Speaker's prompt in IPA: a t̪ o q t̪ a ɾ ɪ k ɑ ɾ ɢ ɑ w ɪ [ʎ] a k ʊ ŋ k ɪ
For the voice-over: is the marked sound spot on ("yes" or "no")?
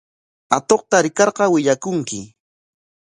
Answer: yes